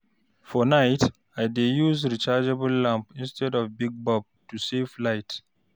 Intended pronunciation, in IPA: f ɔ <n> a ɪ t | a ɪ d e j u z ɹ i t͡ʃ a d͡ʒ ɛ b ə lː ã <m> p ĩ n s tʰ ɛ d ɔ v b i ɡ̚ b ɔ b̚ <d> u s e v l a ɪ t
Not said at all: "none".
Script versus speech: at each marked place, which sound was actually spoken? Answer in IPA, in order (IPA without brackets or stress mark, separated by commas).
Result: n, m, t